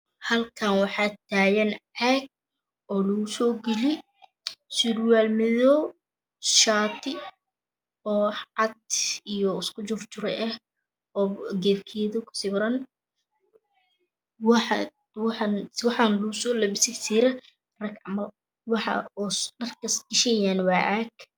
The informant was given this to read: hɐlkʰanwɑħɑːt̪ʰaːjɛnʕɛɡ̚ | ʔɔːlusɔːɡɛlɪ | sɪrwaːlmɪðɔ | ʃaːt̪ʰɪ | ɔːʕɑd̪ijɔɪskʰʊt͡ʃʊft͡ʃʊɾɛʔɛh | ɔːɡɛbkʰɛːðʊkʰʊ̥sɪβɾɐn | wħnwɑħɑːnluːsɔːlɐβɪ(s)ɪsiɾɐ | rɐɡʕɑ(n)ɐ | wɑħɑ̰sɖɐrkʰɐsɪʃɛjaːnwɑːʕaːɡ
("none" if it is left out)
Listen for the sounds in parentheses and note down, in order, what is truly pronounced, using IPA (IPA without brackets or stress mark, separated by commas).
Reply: s, m